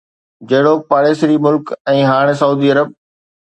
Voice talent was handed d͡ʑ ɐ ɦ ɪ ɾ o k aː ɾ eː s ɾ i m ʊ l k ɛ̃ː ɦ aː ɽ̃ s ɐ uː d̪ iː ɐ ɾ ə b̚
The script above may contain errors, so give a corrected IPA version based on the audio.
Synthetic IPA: d͡ʑ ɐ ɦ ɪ ɽ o p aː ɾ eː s ɾ i m ʊ l k ɛ̃ː ɦ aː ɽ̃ s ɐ uː d̪ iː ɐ ɾ ə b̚

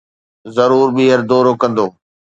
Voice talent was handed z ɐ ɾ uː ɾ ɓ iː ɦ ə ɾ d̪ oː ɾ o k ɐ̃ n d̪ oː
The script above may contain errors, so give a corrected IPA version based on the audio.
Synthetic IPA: z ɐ ɾ uː ɾ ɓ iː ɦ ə ɾ d̪ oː ɾ o k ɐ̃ n d̪ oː

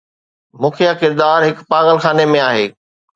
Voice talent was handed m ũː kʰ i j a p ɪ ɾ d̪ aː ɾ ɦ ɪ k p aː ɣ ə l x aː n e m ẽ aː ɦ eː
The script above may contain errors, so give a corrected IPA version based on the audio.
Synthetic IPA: m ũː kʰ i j a k ɪ ɾ d̪ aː ɾ ɦ ɪ k p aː ɣ ə l x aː n e m ẽ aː ɦ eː

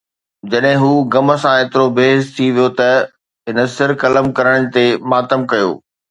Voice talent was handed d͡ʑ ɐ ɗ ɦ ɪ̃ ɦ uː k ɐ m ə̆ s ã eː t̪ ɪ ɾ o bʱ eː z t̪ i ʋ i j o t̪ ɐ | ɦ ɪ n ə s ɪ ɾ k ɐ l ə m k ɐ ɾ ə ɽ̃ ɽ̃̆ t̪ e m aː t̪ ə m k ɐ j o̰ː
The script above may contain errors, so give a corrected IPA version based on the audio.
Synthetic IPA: d͡ʑ ɐ ɗ ɦ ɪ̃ ɦ uː ɡ ɐ m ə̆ s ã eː t̪ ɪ ɾ o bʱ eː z t̪ʰ i ʋ i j o t̪ ɐ | ɦ ɪ n ə s ɪ ɾ k ɐ l ə m k ɐ ɾ ə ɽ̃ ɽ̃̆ t̪ e m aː t̪ ə m k ɐ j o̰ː

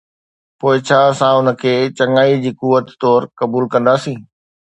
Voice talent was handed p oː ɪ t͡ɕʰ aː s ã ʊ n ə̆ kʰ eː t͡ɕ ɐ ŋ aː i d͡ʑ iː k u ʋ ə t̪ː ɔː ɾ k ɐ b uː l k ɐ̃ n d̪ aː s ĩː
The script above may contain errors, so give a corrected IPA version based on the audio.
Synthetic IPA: p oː ɪ t͡ɕʰ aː s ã ʊ n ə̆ kʰ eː t͡ɕ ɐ ŋ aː i d͡ʑ iː k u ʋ ə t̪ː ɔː ɾ k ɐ b uː l k ɐ̃ n d̪ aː s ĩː

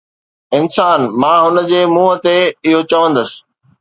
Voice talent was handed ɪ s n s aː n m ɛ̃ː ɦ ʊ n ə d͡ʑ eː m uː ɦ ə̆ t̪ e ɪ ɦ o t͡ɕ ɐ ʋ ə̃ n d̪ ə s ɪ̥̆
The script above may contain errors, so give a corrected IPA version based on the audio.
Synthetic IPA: ɪ n s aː n m ãː ɦ ʊ n ə d͡ʑ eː m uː ɦ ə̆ t̪ e ɪ ɦ o t͡ɕ ɐ ʋ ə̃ n d̪ ə s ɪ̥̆

